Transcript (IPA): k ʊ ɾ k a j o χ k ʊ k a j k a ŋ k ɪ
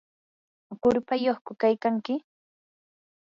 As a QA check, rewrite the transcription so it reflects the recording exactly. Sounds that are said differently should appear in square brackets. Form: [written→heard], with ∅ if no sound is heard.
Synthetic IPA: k ʊ ɾ [k→p] a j o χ k ʊ k a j k a ŋ k ɪ